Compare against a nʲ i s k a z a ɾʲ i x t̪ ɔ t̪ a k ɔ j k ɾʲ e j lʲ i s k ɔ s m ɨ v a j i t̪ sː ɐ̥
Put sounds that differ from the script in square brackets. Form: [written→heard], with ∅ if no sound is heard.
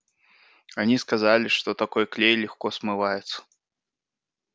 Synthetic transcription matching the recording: a nʲ i s k a z a [ɾʲ→lʲ] i [x→ʂ] t̪ ɔ t̪ a k ɔ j k [ɾʲ→lʲ] e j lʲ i [s→x] k ɔ s m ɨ v a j [i→ɛ] t̪ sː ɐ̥